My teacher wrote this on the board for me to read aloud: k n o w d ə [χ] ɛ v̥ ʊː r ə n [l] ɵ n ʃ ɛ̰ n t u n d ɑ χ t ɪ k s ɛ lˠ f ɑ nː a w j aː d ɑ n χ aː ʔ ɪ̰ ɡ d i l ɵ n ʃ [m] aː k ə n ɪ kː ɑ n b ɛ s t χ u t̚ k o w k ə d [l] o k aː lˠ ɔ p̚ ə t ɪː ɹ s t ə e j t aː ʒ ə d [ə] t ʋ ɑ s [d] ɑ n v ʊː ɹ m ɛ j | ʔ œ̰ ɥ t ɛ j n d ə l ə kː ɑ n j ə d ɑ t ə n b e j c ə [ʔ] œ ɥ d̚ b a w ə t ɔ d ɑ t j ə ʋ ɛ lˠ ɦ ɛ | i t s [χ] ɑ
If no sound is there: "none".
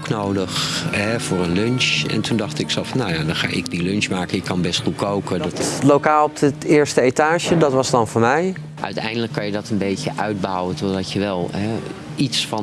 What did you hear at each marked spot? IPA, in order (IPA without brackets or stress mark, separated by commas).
χ, l, m, l, ɑ, d, ʔ, f